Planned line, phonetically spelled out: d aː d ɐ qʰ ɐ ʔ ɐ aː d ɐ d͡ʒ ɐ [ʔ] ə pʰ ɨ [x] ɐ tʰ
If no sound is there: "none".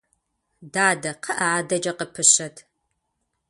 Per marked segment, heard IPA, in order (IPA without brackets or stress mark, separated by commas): q, ɕ